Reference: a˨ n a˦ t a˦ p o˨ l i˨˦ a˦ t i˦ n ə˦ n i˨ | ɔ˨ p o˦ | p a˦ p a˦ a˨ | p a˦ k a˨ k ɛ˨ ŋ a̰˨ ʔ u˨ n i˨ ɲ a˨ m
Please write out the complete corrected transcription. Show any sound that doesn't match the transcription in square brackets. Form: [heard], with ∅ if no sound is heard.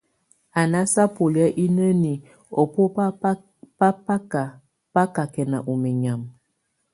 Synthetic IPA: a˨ n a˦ [s] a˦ p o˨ l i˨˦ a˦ [ʔ] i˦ n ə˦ n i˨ | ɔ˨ p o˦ | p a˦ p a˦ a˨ | p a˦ k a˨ k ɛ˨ [n] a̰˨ ʔ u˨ [m] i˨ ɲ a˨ m